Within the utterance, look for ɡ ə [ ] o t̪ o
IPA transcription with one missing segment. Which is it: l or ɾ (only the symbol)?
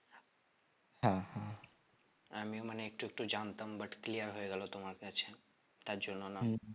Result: l